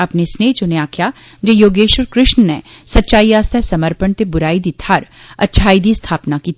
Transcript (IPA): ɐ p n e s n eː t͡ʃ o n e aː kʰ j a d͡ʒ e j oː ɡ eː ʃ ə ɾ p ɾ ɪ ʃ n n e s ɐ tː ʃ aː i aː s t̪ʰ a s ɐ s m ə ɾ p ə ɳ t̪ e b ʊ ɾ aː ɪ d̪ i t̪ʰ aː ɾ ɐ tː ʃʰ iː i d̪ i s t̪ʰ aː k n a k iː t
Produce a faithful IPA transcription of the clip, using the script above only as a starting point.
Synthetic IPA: ɐ p n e s n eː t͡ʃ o n e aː kʰ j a d͡ʒ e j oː ɡ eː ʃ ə ɾ k ɾ ɪ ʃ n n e s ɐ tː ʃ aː i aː s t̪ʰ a s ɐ m ə ɾ p ə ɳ t̪ e b ʊ ɾ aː i d̪ i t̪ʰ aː ɾ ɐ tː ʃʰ aː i d̪ i s t̪ʰ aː p n a k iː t